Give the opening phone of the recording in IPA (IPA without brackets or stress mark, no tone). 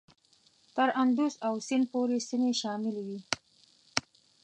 t̪